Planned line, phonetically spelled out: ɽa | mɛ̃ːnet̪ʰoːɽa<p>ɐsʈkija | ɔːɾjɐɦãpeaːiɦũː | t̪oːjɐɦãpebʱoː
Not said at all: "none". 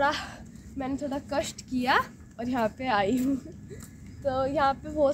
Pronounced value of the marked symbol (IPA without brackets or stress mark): k